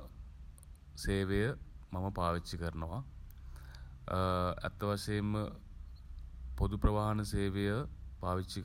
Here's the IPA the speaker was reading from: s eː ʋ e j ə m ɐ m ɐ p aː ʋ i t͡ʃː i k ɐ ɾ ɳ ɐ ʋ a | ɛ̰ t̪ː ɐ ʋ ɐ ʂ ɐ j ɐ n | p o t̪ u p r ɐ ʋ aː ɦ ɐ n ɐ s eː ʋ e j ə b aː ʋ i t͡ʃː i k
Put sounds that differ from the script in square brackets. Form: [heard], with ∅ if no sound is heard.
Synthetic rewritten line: s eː ʋ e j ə m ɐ m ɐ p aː ʋ i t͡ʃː i k ɐ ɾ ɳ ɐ ʋ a | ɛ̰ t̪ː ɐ ʋ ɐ ʂ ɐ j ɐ [m] | p o [d̪] u p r ɐ ʋ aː ɦ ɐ n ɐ s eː ʋ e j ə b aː ʋ i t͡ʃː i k